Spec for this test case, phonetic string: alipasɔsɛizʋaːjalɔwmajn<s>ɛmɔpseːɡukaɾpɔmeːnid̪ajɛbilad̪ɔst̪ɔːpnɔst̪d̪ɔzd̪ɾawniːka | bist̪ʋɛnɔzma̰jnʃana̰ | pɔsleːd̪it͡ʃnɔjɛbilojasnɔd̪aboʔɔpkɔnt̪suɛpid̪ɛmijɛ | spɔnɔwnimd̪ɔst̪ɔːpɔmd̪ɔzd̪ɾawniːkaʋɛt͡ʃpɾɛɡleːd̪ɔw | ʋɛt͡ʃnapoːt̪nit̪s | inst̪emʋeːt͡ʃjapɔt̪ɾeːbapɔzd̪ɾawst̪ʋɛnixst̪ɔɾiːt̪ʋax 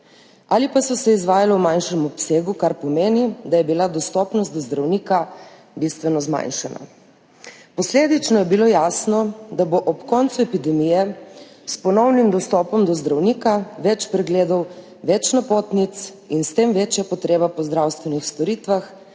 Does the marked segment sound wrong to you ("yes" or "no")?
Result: yes